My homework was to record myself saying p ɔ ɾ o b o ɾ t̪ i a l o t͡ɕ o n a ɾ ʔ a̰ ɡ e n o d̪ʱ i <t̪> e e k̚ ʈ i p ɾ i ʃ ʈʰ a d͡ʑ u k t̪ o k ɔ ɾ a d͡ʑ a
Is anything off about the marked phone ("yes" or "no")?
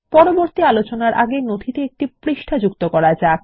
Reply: no